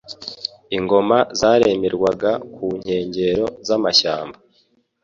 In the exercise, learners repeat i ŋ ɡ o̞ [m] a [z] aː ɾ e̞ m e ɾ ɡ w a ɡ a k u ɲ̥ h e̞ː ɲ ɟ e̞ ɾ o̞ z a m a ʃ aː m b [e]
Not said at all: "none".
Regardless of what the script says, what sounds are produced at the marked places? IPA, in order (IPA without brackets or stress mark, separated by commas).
m, z, a